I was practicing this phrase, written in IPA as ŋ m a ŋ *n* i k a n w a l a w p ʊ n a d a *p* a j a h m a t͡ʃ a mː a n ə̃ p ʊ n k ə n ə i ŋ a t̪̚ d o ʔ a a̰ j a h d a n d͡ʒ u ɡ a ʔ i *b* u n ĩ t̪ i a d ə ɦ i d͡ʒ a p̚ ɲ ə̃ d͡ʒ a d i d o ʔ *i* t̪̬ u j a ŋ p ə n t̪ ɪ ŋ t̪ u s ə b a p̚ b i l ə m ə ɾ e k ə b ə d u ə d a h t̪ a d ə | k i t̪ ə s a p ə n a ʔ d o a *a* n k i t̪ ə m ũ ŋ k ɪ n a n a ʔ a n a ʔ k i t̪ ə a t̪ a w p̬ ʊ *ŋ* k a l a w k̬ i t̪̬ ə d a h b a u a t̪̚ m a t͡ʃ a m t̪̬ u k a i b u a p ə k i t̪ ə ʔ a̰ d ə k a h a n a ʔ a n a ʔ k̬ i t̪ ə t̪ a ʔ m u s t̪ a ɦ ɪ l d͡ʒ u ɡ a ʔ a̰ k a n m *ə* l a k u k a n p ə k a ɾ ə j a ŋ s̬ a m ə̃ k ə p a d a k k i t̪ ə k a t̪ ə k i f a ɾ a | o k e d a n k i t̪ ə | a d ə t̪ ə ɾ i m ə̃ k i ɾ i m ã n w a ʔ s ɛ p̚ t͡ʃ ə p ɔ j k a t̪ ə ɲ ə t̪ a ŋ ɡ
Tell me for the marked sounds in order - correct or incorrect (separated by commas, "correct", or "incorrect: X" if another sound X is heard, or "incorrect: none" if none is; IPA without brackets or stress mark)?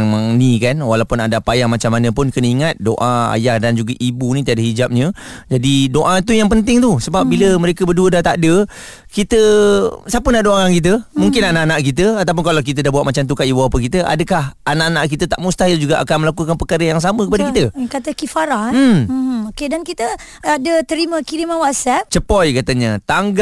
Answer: correct, correct, correct, incorrect: a, correct, incorrect: n, correct